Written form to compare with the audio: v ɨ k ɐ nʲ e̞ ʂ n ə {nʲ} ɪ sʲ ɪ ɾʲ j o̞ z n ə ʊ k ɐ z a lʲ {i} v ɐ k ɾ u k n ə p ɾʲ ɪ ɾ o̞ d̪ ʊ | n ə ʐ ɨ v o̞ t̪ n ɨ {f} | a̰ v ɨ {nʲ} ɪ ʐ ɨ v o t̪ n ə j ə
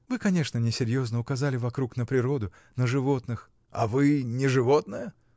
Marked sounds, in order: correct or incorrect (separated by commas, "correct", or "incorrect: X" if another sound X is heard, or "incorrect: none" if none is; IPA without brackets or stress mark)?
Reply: correct, incorrect: ɪ, incorrect: x, correct